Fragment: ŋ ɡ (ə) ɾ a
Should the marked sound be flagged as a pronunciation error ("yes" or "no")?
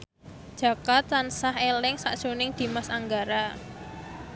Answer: yes